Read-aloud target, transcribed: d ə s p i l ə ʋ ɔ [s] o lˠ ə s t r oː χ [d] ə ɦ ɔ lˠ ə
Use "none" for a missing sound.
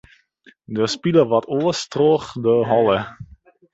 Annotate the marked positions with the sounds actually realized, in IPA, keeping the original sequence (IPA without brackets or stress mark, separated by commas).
t, d